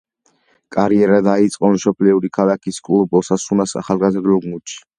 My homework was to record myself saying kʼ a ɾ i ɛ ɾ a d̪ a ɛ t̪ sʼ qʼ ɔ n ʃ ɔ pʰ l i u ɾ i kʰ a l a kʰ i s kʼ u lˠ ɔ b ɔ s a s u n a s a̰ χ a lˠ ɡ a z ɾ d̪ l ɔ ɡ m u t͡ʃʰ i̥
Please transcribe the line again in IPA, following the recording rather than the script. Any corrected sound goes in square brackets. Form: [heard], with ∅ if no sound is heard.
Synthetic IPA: kʼ a ɾ i ɛ ɾ a d̪ a [i] t̪ sʼ qʼ ɔ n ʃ ɔ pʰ l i u ɾ i kʰ a l a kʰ i s kʼ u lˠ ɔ b ɔ s a s u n a s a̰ χ a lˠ ɡ a z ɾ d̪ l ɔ ɡ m u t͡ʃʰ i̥